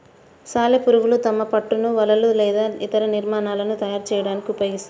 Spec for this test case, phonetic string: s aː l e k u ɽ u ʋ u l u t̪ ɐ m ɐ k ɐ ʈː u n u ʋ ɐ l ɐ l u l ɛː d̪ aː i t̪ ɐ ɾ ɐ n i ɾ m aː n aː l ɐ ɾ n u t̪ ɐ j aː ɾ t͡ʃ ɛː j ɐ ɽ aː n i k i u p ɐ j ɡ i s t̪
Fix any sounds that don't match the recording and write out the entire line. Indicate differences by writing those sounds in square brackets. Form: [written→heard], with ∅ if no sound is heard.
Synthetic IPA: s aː l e [k→p] u [ɽ→ɾ] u ʋ u l u t̪ ɐ m ɐ [k→p] ɐ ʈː u n u ʋ ɐ l ɐ l u l ɛː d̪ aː i t̪ ɐ ɾ ɐ n i ɾ m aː n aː l ɐ [ɾ→∅] n u t̪ ɐ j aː ɾ t͡ʃ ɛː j ɐ ɽ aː n i k i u p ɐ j ɡ i s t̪

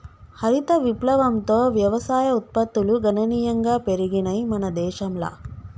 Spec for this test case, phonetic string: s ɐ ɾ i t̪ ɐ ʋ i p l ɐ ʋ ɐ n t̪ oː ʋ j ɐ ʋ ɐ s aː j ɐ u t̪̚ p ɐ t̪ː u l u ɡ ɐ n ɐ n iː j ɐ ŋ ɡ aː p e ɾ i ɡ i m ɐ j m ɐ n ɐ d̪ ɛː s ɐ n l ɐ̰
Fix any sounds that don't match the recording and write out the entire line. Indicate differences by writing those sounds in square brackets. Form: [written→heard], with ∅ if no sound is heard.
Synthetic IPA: [s→h] ɐ ɾ i t̪ ɐ ʋ i p l ɐ ʋ ɐ [n→m] t̪ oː ʋ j ɐ ʋ ɐ s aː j ɐ u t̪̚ p ɐ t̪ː u l u ɡ ɐ n ɐ n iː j ɐ ŋ ɡ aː p e ɾ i ɡ i [m→n] ɐ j m ɐ n ɐ d̪ ɛː [s→ʃ] ɐ [n→m] l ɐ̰

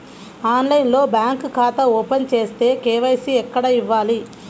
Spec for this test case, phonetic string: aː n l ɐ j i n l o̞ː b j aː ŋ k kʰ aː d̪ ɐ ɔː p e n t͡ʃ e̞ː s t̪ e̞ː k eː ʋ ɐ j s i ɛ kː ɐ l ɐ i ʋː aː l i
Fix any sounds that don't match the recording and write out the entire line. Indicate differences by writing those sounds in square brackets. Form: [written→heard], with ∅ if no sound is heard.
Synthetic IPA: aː n l ɐ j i n l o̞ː b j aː ŋ k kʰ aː [d̪→t̪] ɐ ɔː p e n t͡ʃ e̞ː s t̪ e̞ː k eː ʋ ɐ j s i ɛ kː ɐ [l→ɽ] ɐ i ʋː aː l i

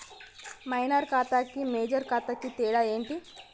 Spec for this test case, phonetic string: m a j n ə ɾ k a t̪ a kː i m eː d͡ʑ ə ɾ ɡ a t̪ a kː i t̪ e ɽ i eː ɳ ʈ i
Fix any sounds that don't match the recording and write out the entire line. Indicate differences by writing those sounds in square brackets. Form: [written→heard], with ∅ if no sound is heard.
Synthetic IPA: m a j n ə ɾ k a t̪ a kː i m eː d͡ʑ ə ɾ [ɡ→k] a t̪ a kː i t̪ e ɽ [i→a] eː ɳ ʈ i

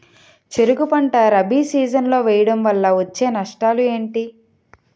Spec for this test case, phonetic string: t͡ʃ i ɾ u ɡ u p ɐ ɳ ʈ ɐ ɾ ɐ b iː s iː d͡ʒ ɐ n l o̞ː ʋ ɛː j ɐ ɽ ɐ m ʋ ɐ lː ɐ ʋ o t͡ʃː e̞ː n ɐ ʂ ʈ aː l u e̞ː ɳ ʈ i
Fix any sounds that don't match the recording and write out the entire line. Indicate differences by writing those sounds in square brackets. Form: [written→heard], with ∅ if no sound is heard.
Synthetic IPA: t͡ʃ [i→e] ɾ u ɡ u p ɐ ɳ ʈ ɐ ɾ ɐ b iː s iː d͡ʒ ɐ n l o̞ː ʋ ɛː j ɐ ɽ ɐ m ʋ ɐ lː ɐ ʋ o t͡ʃː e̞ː n ɐ ʂ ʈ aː l u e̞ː ɳ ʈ i

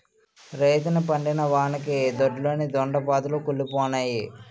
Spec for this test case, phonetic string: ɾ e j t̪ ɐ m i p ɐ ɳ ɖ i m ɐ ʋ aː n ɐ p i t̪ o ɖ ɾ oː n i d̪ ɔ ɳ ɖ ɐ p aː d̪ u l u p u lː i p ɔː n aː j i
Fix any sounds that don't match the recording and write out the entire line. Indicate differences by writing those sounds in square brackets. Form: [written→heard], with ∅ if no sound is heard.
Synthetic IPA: ɾ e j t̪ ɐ [m→n] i p ɐ ɳ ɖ i [m→n] ɐ ʋ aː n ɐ [p→k] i [t̪→d̪] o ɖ [ɾ→l] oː n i d̪ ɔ ɳ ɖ ɐ p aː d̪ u l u [p→k] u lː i p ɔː n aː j i

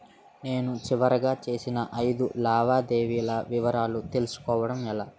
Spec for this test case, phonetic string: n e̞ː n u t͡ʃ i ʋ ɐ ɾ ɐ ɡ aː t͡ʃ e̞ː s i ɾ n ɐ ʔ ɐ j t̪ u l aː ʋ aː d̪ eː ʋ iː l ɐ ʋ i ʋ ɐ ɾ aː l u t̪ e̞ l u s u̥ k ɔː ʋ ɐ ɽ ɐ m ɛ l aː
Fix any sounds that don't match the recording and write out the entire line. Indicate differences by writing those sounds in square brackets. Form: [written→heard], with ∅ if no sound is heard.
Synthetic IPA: n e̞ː n u t͡ʃ i ʋ ɐ ɾ ɐ ɡ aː t͡ʃ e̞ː s i [ɾ→∅] n ɐ ʔ ɐ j [t̪→d̪] u l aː ʋ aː d̪ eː ʋ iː l ɐ ʋ i ʋ ɐ ɾ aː l u t̪ e̞ l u s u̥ k ɔː ʋ ɐ ɽ ɐ m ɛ l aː

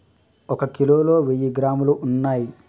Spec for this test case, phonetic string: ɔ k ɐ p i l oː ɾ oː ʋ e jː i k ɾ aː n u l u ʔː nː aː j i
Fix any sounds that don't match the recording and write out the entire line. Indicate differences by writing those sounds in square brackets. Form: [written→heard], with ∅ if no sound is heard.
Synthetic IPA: ɔ k ɐ [p→k] i l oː [ɾ→l] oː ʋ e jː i [k→ɡ] ɾ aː [n→m] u l u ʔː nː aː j i

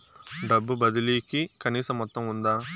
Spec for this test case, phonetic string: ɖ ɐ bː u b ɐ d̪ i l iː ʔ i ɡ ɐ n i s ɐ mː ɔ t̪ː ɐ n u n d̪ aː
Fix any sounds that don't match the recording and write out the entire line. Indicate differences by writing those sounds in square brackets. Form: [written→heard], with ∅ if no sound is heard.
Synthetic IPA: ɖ ɐ bː u b ɐ d̪ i l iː [ʔ→k] i [ɡ→k] ɐ n [i→iː] s ɐ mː ɔ t̪ː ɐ [n→m] u n d̪ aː

